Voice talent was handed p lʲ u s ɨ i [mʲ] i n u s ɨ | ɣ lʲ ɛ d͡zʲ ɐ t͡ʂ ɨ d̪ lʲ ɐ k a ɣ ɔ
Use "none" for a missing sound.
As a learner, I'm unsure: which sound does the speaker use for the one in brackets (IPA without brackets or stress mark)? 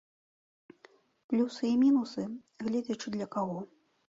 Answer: mʲ